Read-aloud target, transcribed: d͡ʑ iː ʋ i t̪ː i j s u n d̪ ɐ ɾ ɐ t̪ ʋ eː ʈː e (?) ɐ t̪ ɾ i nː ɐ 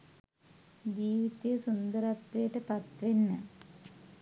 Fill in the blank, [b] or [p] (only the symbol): p